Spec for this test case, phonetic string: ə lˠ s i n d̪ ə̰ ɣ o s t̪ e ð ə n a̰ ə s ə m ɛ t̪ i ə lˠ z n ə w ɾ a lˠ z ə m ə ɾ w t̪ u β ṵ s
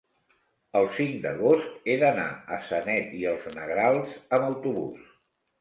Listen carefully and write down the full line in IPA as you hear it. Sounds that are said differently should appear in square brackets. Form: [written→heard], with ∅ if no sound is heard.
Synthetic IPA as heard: ə lˠ s i [n→ŋ] d̪ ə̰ ɣ o s t̪ e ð ə n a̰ ə s ə [m→n] ɛ t̪ i ə lˠ z n ə [w→ɣ] ɾ a lˠ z ə m ə [ɾ→∅] w t̪ u β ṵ s